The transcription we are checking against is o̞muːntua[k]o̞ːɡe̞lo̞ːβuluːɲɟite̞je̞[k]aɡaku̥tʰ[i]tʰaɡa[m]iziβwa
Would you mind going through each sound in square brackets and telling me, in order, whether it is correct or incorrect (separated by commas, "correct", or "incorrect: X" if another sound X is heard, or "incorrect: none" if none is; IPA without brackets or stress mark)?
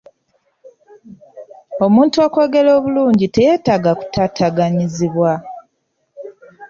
correct, incorrect: t, incorrect: a, incorrect: ɲ